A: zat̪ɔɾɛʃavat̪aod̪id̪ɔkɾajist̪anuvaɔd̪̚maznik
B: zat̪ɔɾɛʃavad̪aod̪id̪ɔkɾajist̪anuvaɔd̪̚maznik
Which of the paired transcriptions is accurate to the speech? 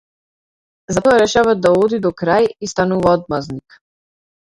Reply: B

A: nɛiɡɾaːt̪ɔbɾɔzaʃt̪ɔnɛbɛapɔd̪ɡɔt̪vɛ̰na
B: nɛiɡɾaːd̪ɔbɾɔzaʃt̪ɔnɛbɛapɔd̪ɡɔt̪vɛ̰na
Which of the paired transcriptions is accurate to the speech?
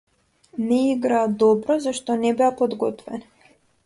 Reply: B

